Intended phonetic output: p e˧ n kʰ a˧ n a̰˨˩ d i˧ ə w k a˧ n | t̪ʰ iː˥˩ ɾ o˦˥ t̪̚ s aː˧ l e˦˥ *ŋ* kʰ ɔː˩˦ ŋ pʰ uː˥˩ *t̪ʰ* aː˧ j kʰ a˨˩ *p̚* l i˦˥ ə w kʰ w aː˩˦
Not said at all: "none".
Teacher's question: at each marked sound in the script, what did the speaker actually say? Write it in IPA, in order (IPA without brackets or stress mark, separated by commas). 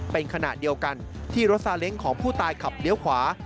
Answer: ŋ, t̪, p̚